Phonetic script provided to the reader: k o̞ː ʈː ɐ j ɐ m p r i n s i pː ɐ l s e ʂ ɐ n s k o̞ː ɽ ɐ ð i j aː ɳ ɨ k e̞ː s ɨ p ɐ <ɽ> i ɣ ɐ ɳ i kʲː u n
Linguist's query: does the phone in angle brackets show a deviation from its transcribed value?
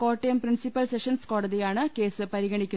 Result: yes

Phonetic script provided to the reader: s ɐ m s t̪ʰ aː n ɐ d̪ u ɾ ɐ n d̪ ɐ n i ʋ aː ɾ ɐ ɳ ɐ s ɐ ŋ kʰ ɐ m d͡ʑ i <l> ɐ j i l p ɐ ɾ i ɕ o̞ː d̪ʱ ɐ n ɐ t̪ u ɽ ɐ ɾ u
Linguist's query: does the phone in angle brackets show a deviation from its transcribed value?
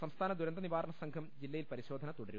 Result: yes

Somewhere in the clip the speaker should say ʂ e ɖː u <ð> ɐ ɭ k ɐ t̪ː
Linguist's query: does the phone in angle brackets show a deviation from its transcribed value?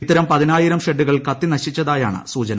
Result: yes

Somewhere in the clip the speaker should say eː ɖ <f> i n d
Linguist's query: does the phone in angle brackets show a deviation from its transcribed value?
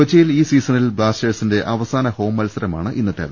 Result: yes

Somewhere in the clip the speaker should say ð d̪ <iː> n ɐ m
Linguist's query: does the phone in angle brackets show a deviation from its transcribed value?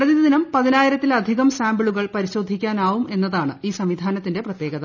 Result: yes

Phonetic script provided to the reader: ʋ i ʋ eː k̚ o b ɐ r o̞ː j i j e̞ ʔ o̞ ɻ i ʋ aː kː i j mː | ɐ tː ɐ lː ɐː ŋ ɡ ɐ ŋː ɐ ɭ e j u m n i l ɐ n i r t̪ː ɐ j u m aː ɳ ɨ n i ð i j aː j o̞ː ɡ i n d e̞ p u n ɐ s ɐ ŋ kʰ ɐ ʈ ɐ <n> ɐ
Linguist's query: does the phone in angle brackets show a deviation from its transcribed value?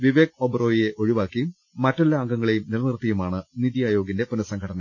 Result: no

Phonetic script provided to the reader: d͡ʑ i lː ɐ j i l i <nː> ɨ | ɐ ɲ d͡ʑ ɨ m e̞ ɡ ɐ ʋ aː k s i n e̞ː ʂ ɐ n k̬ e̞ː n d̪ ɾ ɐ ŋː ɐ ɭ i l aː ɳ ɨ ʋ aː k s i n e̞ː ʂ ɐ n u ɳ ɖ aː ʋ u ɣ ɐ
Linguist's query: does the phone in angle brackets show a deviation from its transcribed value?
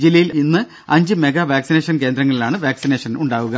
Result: no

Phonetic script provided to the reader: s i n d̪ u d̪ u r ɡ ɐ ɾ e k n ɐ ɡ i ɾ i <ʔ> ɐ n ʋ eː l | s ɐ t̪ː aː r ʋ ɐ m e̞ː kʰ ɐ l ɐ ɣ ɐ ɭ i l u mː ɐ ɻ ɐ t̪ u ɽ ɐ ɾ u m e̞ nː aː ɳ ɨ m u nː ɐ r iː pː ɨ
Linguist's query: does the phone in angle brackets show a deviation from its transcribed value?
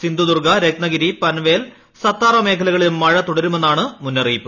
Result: yes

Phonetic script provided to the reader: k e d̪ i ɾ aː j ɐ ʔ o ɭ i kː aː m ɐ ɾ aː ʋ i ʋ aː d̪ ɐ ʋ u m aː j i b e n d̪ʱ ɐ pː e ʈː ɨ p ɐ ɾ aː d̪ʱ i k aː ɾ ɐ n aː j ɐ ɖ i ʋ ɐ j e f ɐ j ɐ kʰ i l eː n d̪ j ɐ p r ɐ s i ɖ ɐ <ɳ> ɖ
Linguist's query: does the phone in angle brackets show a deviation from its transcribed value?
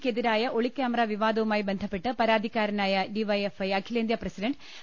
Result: no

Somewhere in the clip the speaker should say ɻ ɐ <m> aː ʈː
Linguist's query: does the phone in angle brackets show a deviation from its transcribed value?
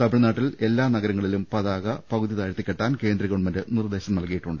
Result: yes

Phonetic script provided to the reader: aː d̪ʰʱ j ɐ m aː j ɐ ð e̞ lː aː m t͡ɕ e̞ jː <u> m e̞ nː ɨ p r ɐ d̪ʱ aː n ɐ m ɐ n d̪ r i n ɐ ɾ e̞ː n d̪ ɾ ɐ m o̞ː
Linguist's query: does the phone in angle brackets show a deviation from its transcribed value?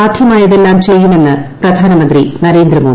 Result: no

